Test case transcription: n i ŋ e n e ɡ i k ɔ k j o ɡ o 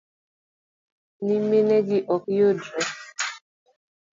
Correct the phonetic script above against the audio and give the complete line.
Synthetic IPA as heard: n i m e n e ɡ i ʔ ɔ k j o d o